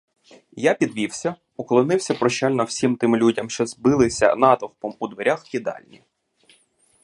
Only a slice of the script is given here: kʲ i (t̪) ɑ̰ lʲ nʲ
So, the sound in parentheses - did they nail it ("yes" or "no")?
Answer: no